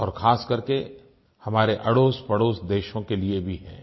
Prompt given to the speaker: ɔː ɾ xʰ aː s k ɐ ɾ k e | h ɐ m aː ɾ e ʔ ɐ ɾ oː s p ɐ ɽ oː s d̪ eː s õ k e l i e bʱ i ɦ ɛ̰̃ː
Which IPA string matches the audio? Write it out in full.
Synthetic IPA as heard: ɔː ɾ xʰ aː s k ɐ ɾ k e | h ɐ m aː ɾ e ʔ ɐ ɽ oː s p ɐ ɽ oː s d̪ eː ʃ õ k e l i e bʱ i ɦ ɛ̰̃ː